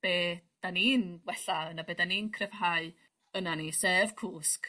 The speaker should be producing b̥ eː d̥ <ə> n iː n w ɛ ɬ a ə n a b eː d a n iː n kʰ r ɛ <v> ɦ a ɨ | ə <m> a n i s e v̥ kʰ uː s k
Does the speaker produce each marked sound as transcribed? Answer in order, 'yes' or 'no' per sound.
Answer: no, yes, no

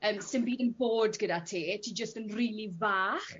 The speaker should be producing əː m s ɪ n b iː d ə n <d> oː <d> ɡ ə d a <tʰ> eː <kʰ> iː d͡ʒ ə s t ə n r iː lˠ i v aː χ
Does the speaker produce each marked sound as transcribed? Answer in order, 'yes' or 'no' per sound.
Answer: no, yes, yes, no

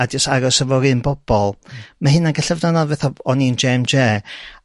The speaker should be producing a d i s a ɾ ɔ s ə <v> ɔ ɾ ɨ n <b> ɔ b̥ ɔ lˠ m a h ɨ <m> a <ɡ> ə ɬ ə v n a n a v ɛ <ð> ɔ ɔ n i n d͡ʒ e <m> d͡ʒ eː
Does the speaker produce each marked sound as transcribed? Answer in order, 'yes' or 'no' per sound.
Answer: yes, yes, no, yes, no, yes

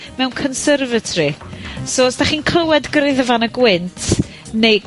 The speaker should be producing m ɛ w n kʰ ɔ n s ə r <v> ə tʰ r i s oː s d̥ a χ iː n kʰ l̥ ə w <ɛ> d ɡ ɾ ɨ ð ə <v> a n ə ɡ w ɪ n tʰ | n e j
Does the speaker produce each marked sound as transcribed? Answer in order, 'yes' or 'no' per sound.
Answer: yes, yes, yes

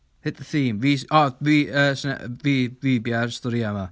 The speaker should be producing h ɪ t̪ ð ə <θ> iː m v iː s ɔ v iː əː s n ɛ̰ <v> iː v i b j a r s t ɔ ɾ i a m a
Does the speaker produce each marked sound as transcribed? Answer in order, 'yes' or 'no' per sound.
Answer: yes, yes

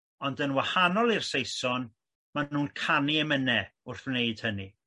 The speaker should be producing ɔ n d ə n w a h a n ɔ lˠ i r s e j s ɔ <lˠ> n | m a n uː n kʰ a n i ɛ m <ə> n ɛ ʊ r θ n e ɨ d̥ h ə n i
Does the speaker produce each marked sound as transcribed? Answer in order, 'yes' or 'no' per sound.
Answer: no, yes

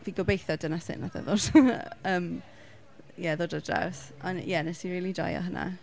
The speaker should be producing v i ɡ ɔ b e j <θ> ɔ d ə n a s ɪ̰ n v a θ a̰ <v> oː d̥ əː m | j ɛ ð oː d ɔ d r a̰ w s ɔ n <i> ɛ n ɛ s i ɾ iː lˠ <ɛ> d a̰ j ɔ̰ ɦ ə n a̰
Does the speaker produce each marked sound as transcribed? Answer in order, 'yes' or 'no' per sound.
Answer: yes, no, no, no

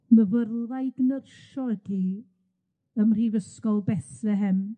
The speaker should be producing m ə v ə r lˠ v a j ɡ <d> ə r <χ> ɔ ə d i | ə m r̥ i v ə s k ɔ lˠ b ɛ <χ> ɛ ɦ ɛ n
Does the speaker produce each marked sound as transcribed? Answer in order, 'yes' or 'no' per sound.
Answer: no, no, no

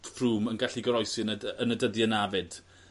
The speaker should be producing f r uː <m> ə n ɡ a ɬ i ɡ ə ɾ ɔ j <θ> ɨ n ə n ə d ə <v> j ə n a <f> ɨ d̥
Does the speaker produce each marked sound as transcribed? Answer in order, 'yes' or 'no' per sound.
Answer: yes, no, no, no

